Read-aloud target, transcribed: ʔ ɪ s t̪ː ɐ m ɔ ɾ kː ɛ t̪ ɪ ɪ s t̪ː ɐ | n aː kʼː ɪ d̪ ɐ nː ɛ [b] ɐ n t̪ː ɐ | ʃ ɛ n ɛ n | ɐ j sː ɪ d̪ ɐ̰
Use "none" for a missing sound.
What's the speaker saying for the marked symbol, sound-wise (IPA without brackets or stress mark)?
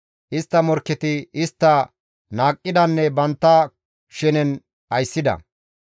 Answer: b